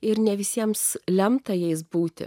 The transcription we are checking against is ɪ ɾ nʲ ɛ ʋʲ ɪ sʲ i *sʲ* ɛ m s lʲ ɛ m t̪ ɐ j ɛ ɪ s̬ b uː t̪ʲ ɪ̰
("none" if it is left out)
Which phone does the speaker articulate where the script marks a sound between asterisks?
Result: none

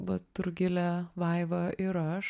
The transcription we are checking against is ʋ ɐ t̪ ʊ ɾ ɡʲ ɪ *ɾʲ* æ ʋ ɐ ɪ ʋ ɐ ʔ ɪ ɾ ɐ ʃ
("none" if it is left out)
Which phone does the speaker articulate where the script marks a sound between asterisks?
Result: lʲ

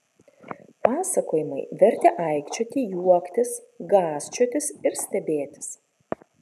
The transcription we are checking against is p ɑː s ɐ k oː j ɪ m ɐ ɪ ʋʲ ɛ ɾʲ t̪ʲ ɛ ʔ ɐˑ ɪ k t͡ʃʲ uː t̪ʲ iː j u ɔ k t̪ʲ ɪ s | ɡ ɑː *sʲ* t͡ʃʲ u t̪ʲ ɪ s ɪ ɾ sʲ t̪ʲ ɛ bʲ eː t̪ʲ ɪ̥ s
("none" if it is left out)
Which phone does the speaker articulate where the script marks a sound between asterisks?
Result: sʲ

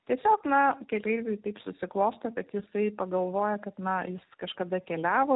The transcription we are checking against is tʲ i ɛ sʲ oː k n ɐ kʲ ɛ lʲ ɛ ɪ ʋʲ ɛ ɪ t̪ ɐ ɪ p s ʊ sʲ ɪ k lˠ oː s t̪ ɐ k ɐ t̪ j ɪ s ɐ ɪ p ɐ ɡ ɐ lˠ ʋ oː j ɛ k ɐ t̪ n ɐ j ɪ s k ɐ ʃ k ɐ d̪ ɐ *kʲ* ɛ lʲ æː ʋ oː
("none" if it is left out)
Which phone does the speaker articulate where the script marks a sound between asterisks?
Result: kʲ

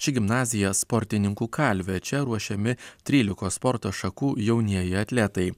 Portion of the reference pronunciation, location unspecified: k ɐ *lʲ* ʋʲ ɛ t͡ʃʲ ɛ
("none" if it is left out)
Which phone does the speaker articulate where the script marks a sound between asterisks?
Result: lʲ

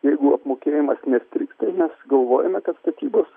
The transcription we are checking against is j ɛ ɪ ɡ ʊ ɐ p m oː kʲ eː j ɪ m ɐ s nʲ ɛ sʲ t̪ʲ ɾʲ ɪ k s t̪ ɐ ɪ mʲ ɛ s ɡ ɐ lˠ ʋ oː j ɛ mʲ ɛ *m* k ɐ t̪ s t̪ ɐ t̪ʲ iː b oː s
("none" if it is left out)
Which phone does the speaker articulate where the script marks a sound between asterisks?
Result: none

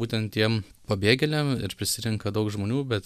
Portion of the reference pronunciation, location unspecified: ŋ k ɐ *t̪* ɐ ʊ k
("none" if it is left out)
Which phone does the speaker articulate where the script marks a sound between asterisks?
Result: d̪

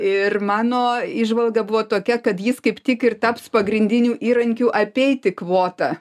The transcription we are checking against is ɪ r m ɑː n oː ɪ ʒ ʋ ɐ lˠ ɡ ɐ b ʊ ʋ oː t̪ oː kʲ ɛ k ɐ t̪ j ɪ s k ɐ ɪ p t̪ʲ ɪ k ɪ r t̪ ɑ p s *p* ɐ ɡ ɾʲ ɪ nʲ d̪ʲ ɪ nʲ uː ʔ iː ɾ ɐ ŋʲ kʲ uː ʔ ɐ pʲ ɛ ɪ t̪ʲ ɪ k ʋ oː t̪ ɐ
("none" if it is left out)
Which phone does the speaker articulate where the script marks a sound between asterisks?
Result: p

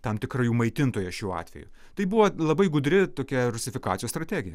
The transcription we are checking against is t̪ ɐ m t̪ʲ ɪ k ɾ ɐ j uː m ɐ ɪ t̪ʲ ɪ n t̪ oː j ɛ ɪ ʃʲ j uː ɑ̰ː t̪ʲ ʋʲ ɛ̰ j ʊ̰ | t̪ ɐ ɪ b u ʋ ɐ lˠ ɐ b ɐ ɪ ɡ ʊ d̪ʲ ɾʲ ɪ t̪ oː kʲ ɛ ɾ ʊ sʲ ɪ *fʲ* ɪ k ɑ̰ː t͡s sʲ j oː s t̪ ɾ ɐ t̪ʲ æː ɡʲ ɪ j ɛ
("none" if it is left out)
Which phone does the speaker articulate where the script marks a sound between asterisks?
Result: fʲ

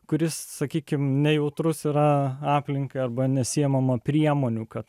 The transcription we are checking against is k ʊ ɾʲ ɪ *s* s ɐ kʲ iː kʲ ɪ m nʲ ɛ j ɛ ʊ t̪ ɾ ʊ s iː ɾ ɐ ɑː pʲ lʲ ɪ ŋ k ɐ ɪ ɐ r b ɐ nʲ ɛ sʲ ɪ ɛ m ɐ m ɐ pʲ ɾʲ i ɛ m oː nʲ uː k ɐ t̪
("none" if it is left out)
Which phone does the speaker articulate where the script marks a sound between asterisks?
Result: s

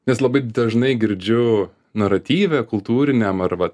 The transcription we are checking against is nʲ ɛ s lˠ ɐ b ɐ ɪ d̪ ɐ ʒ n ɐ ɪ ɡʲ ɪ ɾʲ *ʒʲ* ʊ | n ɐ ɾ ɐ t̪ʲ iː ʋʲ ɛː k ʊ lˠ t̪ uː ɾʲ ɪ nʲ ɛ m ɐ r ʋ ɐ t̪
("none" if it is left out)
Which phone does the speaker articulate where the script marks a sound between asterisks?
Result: d͡ʒʲ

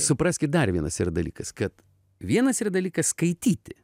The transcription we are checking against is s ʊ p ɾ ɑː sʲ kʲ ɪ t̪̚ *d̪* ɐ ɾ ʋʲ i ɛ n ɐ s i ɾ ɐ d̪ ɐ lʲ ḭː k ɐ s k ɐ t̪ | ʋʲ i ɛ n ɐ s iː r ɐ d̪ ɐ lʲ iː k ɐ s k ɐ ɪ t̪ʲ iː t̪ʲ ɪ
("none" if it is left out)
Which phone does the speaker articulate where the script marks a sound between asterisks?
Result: d̪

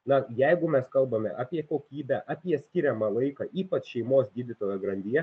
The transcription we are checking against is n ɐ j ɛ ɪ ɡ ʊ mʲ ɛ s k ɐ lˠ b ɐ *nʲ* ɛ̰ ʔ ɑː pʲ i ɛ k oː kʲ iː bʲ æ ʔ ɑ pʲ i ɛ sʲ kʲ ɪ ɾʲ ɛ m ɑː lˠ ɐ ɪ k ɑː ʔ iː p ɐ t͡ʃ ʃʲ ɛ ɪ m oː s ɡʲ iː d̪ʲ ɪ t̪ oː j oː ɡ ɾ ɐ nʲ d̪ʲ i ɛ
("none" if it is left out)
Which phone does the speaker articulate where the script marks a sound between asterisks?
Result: mʲ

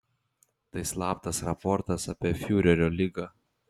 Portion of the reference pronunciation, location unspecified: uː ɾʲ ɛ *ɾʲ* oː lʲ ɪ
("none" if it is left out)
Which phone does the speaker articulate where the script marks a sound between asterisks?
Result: ɾʲ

